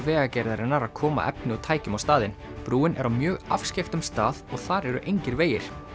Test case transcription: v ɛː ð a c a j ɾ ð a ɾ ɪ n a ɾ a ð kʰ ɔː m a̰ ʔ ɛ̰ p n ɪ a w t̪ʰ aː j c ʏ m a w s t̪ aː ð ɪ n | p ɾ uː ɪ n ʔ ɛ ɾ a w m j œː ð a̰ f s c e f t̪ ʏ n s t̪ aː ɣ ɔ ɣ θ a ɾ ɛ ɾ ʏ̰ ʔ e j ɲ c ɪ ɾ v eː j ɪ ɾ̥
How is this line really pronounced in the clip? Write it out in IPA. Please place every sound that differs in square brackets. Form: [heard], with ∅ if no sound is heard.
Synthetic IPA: v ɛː [ɣ] a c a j ɾ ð a ɾ ɪ n a ɾ a ð kʰ ɔː m a̰ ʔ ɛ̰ p n ɪ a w t̪ʰ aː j c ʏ m a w s t̪ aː ð ɪ n | p ɾ uː ɪ n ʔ ɛ ɾ a w m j œː [ɣ] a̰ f s c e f t̪ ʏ [m] s t̪ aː [ð] ɔ ɣ θ a ɾ ɛ ɾ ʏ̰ ʔ e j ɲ c ɪ ɾ v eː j ɪ ɾ̥